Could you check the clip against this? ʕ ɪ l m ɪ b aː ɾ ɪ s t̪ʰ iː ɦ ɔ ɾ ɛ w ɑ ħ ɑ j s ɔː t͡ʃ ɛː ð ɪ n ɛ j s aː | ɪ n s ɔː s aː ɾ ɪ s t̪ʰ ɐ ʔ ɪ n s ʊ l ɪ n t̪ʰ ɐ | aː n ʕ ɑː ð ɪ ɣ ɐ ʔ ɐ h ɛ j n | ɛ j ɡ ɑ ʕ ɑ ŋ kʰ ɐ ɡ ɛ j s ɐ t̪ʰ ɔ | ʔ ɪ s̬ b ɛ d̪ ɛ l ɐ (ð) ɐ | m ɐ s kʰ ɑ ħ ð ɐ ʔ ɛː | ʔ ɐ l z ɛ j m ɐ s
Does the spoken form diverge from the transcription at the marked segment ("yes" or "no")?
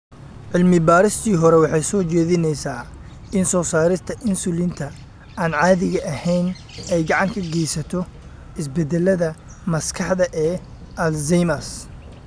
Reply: no